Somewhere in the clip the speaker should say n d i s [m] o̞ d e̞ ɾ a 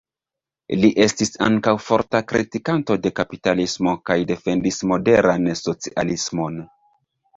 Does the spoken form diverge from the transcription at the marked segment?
no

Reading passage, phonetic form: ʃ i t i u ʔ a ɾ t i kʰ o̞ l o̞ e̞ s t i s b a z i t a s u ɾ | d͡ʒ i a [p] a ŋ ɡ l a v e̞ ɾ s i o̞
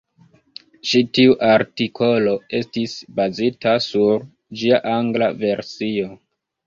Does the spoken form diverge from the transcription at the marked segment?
yes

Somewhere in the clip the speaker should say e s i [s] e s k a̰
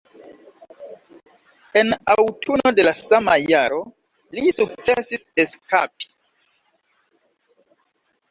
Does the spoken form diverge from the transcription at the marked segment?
no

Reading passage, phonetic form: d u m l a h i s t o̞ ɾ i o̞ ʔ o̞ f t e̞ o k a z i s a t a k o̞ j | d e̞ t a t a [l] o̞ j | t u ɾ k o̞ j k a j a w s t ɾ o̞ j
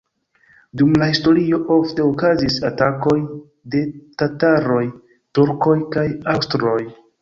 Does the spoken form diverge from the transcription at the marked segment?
yes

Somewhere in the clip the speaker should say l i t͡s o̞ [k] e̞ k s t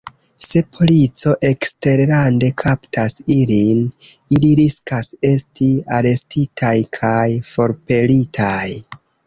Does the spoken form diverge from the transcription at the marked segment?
yes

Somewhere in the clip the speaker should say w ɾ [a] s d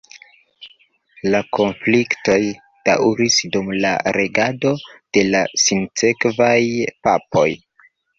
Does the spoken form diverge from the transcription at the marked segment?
yes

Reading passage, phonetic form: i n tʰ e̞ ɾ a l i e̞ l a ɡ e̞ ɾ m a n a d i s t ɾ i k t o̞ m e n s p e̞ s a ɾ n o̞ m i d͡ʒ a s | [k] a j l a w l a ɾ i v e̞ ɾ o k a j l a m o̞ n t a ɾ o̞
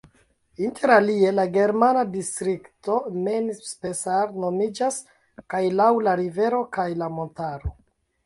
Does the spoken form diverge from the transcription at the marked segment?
no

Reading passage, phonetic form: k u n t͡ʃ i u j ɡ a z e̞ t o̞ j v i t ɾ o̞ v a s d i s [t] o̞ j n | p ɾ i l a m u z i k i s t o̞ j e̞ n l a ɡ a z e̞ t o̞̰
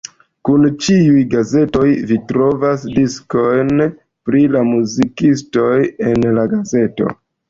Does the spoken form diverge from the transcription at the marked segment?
yes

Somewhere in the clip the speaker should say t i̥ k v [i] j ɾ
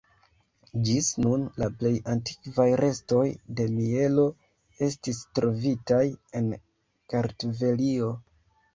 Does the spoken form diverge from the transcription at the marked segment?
yes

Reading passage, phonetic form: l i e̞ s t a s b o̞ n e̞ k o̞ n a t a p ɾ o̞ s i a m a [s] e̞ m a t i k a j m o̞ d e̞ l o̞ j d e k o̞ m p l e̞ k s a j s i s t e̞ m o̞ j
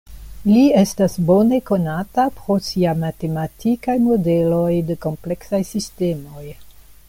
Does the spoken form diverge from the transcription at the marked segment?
yes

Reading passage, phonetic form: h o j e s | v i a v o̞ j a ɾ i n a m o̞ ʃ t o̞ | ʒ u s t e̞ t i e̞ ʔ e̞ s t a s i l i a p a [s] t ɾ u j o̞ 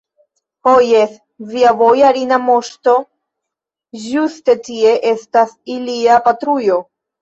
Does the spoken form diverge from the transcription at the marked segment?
yes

